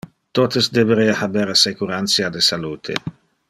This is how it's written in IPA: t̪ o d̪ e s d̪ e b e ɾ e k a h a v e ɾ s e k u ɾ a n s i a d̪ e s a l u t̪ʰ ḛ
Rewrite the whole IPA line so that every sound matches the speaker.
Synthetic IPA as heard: t̪ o t̪ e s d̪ e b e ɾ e a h a b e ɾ s e k u ɾ a n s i a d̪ e s a l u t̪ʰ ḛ